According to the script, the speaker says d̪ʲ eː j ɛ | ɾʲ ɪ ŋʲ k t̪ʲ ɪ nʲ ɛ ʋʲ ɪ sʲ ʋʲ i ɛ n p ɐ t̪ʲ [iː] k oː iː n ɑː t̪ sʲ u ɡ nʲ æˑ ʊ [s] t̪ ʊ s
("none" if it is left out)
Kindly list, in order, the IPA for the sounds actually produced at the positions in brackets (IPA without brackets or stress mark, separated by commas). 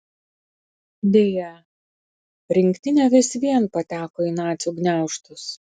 æː, ʃ